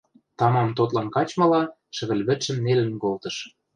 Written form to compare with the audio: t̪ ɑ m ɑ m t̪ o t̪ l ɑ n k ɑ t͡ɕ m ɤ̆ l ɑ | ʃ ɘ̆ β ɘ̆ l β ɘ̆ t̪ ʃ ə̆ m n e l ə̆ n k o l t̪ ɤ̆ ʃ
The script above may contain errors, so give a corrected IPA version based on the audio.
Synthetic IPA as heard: t̪ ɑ m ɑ m t̪ o t̪ l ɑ n k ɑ t͡ɕ m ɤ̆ l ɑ | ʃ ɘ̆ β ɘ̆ l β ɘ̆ t̪ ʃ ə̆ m n e l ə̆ n k o l t̪ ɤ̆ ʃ